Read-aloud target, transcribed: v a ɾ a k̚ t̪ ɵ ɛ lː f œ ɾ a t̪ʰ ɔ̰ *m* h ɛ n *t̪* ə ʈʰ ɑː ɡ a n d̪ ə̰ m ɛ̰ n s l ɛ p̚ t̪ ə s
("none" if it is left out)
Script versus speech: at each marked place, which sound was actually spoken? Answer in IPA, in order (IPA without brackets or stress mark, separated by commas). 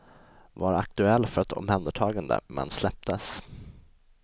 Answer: m, d̪